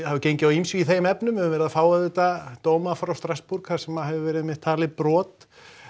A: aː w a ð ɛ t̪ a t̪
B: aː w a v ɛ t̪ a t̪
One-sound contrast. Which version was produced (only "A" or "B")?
A